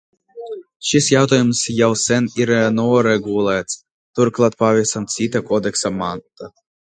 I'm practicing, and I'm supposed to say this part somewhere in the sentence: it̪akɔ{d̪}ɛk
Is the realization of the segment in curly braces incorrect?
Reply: no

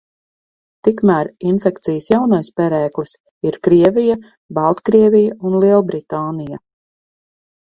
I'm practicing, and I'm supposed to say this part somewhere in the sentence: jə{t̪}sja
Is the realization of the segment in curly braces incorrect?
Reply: yes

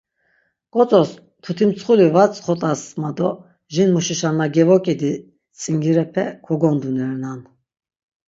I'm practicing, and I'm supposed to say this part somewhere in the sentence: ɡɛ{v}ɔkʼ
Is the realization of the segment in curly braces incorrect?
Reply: no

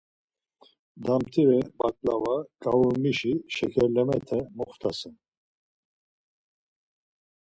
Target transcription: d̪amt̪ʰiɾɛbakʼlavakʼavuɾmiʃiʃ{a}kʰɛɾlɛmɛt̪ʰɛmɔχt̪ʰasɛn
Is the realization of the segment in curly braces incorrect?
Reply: yes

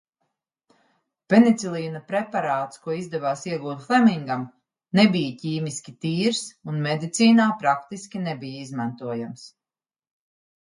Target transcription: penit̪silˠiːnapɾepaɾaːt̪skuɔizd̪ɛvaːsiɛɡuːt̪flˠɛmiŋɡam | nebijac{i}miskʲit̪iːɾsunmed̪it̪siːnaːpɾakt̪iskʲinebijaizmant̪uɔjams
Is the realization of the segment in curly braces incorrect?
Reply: yes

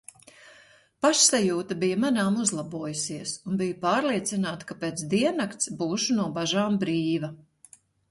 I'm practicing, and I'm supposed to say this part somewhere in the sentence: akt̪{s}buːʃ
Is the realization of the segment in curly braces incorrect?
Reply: no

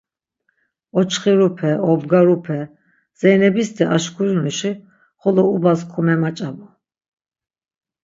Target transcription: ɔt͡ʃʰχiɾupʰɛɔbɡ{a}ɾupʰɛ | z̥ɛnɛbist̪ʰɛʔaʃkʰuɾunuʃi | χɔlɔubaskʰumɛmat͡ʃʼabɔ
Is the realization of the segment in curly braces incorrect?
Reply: no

